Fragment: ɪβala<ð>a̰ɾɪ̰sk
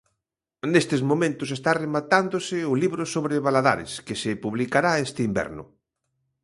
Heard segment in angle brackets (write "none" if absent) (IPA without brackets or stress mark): ð